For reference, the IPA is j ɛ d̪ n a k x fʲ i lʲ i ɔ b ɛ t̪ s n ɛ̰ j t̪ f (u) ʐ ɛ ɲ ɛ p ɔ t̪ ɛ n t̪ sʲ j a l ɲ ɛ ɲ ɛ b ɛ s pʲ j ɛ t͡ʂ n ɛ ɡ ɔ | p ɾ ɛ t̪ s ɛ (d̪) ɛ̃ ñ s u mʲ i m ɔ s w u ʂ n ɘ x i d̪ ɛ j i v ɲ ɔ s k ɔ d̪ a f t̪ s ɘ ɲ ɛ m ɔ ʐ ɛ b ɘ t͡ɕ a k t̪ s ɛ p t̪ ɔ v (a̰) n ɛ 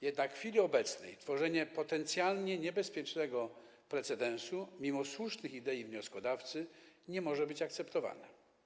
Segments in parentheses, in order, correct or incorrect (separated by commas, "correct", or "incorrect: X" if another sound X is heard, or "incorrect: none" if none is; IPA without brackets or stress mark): incorrect: ɔ, correct, correct